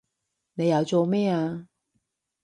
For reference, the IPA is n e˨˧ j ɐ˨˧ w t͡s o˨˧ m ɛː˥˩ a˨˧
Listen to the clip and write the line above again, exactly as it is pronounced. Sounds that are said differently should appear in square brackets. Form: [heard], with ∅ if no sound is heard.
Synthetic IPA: n e˨˧ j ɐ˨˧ w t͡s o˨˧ m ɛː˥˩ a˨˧